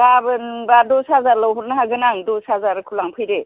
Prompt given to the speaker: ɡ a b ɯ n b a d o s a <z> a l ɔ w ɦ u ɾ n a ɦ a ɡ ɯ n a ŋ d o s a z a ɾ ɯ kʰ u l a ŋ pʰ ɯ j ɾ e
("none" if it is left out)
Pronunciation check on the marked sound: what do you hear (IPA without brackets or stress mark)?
z